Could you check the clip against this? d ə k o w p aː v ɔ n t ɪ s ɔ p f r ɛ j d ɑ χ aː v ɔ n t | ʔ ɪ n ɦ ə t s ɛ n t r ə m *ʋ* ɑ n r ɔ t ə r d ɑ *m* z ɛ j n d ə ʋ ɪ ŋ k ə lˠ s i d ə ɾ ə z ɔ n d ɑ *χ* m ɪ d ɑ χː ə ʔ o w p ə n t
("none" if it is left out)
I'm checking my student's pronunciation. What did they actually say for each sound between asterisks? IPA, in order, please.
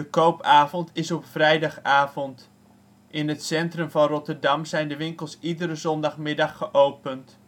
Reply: v, m, χ

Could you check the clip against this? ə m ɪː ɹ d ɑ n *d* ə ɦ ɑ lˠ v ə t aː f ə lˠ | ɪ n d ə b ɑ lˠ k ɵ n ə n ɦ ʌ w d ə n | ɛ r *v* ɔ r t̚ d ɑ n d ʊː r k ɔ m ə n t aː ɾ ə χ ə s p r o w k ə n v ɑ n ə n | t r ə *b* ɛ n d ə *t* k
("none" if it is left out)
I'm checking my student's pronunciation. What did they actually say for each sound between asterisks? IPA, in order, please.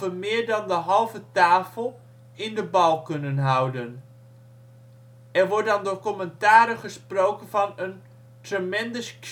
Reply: d, ʋ, m, s

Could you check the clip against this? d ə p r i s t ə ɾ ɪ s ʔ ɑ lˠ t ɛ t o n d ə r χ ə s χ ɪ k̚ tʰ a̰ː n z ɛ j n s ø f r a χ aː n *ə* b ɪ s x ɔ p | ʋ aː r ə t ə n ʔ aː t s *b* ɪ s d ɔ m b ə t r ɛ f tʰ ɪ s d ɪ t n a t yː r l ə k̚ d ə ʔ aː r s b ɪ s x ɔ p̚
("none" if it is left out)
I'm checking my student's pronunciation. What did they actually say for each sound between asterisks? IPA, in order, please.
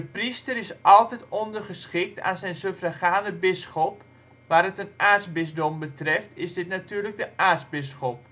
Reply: ə, b

